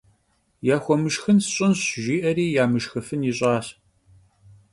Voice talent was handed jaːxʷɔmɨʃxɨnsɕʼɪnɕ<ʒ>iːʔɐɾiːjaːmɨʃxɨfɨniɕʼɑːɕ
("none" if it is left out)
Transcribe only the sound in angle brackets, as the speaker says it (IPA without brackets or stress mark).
ʒ